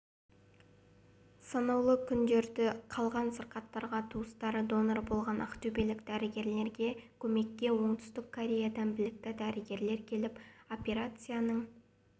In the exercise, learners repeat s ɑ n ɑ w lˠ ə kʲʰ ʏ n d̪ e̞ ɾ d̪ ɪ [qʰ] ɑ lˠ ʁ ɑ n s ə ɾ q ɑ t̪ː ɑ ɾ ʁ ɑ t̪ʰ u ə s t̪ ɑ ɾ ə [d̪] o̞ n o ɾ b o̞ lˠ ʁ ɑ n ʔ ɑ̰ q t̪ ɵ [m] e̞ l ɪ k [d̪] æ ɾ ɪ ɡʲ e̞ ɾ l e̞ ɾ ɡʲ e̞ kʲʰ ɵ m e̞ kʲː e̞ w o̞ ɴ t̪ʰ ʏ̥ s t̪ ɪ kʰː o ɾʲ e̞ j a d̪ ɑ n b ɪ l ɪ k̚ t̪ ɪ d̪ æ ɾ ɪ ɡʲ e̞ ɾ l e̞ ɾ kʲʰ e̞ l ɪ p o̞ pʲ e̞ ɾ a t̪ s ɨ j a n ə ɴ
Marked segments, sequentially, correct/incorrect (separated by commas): correct, correct, incorrect, correct